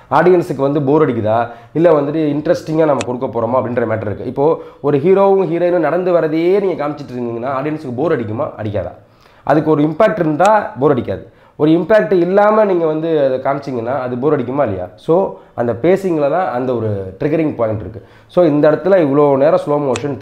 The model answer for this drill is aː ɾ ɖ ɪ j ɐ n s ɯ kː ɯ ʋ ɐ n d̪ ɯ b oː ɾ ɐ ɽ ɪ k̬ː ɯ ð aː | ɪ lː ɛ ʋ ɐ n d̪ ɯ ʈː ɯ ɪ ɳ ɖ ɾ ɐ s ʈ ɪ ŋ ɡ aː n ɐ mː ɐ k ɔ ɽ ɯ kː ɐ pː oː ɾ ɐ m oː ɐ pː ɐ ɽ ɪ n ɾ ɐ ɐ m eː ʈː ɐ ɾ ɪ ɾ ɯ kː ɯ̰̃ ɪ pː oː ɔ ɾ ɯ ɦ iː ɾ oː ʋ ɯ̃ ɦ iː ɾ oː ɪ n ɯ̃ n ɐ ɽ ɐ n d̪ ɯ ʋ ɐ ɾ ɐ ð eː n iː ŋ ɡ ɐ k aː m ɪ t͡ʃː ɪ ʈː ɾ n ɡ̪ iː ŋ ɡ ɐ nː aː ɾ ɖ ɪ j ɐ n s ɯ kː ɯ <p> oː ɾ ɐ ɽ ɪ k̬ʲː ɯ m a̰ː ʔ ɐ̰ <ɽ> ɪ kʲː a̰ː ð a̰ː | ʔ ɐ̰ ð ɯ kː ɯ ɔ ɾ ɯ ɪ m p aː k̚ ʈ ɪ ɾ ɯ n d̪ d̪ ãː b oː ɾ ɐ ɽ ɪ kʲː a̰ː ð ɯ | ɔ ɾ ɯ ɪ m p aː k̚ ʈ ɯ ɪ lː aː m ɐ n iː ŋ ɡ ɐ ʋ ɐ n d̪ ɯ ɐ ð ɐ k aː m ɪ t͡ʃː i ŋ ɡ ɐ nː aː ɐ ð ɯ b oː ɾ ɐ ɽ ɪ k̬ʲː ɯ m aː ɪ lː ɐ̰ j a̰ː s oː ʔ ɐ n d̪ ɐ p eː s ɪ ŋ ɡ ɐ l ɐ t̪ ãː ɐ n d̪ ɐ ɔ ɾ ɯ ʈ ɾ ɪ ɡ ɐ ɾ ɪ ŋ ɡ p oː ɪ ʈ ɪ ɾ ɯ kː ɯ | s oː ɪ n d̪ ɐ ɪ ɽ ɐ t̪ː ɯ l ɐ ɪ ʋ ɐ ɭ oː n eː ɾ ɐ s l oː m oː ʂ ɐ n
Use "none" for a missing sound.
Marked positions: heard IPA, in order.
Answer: b, ɽ

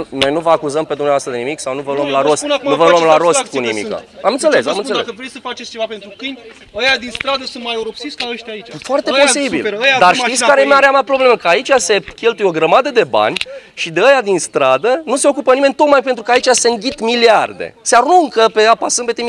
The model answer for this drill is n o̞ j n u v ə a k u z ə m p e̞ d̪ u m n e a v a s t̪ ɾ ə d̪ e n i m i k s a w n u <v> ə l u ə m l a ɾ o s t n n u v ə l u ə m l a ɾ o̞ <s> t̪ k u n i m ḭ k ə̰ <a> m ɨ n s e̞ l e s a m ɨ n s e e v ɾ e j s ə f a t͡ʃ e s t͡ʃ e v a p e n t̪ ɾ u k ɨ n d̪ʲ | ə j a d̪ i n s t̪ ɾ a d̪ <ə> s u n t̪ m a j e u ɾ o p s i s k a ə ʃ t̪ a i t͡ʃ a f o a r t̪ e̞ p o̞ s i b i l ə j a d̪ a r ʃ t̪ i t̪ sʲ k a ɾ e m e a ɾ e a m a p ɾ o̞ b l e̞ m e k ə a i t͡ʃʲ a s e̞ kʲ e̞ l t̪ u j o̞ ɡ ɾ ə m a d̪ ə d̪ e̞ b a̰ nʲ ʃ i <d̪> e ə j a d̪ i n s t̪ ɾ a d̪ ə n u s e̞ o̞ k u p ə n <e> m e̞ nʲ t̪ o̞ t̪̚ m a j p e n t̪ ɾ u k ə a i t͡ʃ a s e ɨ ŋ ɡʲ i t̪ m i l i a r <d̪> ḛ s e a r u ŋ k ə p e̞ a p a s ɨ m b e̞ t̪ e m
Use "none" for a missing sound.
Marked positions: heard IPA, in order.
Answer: v, s, a, ə, d̪, i, d̪

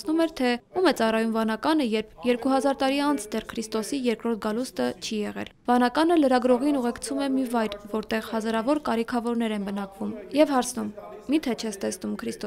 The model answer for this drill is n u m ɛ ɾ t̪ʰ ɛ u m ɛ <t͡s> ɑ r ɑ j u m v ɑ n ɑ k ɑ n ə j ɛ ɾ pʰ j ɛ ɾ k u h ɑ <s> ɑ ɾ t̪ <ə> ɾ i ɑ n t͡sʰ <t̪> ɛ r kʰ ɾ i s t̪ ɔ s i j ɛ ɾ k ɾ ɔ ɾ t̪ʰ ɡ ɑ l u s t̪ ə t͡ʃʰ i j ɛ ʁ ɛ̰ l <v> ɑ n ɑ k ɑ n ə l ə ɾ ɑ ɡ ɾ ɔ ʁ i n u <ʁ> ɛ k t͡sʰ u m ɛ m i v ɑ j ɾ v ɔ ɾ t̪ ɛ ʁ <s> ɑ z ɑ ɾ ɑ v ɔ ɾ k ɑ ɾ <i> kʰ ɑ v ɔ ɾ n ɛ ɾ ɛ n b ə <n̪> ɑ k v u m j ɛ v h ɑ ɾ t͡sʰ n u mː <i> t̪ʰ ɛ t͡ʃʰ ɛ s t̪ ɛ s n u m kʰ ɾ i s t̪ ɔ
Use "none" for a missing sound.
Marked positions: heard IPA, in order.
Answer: t͡s, z, ɑ, d̪, v, ʁ, h, i, n̪, i

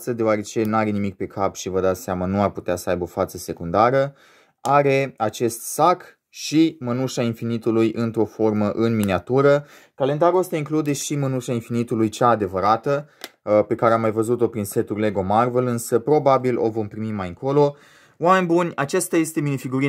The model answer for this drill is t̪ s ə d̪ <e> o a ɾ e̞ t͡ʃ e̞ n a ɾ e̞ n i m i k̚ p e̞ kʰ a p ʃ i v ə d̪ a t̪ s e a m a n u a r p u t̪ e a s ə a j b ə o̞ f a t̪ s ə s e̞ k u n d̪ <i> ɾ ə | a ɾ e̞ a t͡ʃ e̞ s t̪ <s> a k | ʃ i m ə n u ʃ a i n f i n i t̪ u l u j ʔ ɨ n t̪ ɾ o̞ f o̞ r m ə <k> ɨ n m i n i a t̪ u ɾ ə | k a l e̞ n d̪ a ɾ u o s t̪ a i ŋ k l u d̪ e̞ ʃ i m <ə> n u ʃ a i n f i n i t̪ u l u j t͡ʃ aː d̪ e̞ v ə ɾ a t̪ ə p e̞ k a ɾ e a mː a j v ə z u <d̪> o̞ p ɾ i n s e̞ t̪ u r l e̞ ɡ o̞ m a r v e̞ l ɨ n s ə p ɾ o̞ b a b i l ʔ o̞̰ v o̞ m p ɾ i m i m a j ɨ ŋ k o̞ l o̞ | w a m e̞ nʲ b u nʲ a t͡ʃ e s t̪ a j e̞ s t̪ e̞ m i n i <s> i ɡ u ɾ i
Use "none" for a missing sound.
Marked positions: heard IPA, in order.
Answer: e, a, s, ʔ, ə, t̪, f

